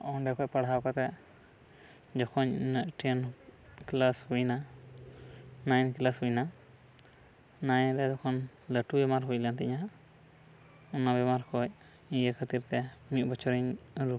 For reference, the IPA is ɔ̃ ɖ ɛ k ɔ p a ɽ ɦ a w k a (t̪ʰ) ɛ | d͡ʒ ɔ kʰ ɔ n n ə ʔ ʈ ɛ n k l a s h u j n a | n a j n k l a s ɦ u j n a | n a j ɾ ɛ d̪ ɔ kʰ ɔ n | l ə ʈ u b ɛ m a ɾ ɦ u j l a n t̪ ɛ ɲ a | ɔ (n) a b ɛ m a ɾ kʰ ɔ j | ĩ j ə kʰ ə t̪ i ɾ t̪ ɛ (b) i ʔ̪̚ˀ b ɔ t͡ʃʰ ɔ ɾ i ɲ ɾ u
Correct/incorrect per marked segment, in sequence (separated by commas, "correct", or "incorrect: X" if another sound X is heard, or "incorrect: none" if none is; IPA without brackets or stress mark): incorrect: t̪, correct, incorrect: m